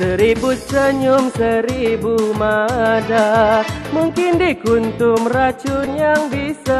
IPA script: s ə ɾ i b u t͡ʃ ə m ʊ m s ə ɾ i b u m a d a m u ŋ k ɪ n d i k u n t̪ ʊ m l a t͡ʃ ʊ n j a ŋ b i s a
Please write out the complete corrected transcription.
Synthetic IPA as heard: s ə ɾ i b u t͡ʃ ə ɲ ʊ m s ə ɾ i b u m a d a m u ŋ k ɪ n d i k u n t̪ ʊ m r a t͡ʃ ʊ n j a ŋ b i s a